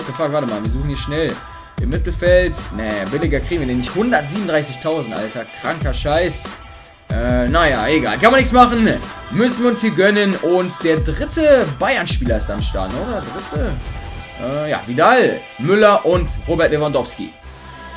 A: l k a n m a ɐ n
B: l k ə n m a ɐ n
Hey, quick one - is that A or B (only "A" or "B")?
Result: A